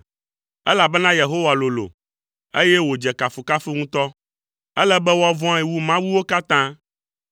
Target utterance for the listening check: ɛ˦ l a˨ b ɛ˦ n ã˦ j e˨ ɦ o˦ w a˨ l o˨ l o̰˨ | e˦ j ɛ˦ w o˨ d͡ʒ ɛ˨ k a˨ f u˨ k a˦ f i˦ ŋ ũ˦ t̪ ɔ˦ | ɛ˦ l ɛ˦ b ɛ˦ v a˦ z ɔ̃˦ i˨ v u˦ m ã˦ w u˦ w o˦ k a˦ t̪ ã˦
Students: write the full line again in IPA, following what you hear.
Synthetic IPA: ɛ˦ l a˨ b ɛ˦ n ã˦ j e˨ ɦ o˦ w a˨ l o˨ l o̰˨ | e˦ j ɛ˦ w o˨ d͡ʒ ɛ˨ k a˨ f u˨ k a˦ f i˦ ŋ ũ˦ t̪ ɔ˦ | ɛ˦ l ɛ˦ b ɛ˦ w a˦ v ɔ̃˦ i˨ w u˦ m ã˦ w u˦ w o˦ k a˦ t̪ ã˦